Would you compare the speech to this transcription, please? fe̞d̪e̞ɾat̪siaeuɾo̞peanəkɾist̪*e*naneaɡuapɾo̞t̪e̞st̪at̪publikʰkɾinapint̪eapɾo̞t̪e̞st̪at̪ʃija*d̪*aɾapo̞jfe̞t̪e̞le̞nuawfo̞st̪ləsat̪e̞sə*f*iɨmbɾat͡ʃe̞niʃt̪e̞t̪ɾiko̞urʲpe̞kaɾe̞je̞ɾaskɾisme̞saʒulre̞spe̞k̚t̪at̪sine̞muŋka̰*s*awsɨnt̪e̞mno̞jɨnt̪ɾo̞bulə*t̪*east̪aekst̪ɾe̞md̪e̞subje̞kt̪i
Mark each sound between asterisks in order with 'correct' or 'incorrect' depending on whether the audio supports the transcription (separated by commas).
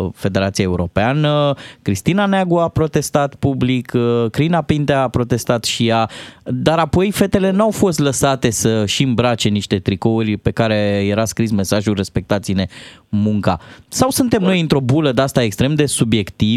incorrect, correct, incorrect, correct, incorrect